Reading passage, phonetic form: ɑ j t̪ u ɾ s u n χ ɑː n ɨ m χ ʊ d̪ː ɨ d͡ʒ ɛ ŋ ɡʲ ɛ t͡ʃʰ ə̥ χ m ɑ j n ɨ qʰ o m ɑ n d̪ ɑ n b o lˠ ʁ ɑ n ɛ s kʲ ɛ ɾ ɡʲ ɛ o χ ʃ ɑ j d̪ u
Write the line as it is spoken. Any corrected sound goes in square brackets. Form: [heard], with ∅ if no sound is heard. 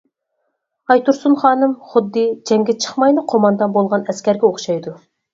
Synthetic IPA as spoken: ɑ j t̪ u ɾ s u n χ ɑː n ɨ m χ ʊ d̪ː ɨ d͡ʒ ɛ ŋ ɡʲ ɛ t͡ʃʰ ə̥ χ m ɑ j n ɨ qʰ o m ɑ n d̪ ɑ n b o lˠ ʁ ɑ n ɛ s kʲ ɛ ɾ ɡʲ ɛ o χ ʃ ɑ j d̪ u